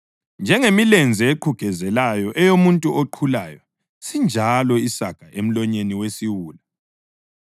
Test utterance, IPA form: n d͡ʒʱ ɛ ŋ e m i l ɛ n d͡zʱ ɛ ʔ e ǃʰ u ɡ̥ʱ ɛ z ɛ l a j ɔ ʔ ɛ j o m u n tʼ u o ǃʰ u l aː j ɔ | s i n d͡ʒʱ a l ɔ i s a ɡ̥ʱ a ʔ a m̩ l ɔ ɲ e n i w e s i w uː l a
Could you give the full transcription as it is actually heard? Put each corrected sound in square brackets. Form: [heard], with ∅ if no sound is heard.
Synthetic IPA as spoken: n d͡ʒʱ ɛ ŋ e m i l ɛ n d͡zʱ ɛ [∅] e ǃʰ u ɡ̥ʱ ɛ z ɛ l a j ɔ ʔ ɛ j o m u n tʼ u o ǃʰ u l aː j ɔ | s i n d͡ʒʱ a l ɔ i s a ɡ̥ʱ a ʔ [e] m̩ l ɔ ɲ e n i w e s i w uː l a

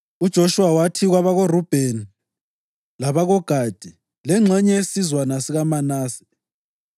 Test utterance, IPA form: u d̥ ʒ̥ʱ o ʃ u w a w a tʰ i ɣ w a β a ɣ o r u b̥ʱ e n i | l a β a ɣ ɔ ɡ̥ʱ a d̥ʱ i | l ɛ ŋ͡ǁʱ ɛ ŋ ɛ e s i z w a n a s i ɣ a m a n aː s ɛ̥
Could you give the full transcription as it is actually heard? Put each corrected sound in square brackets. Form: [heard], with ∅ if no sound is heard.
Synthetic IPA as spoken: u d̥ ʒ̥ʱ o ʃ u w a w a tʰ i ɣ w a β a ɣ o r u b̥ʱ e n i | l a β a ɣ ɔ ɡ̥ʱ a d̥ʱ i | l ɛ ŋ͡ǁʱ ɛ [ɲ] ɛ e s i z w a n a s i ɣ a m a n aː s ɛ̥

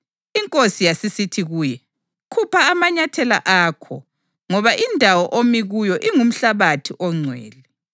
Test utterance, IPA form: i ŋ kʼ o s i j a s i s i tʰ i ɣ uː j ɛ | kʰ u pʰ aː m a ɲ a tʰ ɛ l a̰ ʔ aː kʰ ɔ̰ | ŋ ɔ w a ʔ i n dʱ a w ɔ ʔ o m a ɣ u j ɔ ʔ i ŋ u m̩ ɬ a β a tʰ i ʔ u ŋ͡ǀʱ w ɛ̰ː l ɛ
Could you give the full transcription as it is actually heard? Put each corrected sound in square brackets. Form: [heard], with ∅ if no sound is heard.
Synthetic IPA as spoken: i ŋ kʼ o s i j a s i s i tʰ i ɣ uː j ɛ | kʰ u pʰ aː m a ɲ a tʰ ɛ l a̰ ʔ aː kʰ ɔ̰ | ŋ ɔ [β] a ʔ i n dʱ a w ɔ ʔ o m [i] ɣ u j ɔ ʔ i ŋ u m̩ ɬ a β a tʰ i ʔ [ɔ] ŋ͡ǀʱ w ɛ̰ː l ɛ

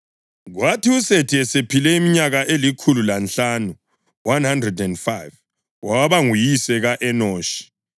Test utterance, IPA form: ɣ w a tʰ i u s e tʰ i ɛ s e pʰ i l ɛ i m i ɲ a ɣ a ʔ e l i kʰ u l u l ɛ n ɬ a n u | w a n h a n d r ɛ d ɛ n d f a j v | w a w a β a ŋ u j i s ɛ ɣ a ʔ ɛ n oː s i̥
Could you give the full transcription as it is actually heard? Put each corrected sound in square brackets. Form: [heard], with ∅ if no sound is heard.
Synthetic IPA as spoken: ɣ w a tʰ i u s e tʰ i ɛ s e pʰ i l ɛ i m i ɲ a ɣ a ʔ e l i kʰ u l u l [a] n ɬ a n u | w a n h a n d r ɛ d ɛ n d f a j v | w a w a β a ŋ u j i s ɛ ɣ a ʔ ɛ n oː [ʃ] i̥

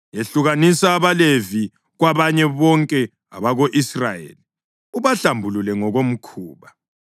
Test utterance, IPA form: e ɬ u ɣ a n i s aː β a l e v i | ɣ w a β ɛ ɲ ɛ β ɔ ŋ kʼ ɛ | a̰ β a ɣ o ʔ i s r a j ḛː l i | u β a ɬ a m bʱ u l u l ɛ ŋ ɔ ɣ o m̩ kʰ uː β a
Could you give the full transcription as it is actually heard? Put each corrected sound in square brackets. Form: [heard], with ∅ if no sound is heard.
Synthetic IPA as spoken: e ɬ u ɣ a n i s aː β a l e v i | ɣ w a β [a] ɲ ɛ β ɔ ŋ kʼ ɛ | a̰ β a ɣ o ʔ i s r a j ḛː l i | u β a ɬ a m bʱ u l u l ɛ ŋ ɔ ɣ o m̩ kʰ uː β a

